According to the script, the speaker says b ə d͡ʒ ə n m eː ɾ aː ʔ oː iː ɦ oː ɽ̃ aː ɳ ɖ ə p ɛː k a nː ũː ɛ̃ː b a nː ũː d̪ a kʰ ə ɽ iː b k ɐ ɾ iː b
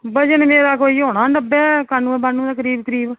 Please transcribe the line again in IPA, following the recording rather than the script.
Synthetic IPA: b ə d͡ʒ ə n m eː ɾ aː k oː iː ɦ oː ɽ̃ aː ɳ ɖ ə b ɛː k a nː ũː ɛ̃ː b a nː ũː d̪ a k ə ɾ iː b k ə ɾ iː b